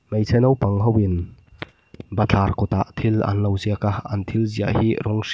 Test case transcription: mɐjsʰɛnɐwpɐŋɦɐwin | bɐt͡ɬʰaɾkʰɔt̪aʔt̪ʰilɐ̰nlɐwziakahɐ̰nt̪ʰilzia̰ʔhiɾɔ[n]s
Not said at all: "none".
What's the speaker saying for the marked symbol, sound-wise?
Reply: ŋ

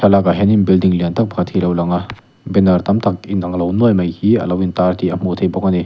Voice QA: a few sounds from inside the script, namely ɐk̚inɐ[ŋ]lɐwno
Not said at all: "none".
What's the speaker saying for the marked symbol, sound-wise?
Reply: ŋ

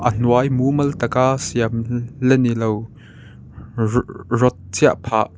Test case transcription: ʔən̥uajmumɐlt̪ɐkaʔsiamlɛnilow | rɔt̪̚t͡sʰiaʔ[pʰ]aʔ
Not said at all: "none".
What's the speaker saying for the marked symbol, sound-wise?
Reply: pʰ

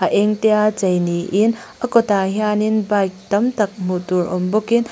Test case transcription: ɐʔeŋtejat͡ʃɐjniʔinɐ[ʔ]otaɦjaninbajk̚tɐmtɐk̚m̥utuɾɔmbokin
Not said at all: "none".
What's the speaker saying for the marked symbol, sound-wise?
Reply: k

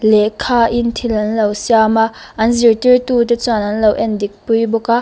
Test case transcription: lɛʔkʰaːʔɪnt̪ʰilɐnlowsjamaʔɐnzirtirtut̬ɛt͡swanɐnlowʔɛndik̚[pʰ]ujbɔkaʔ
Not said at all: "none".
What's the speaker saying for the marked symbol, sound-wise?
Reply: p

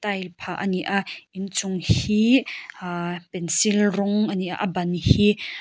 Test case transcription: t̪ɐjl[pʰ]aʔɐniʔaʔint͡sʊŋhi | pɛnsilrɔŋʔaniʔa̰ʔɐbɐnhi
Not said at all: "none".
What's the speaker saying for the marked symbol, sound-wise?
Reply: pʰ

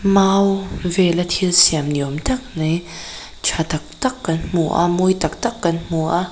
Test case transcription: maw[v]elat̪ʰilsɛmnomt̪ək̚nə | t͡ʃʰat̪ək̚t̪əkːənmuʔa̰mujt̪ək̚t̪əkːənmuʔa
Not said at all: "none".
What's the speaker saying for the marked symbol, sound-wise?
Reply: v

